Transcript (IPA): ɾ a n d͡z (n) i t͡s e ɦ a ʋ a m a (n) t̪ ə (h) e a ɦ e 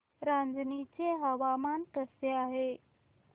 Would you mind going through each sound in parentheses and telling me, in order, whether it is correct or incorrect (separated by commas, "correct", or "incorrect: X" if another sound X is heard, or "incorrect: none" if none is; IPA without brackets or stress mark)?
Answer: correct, correct, incorrect: s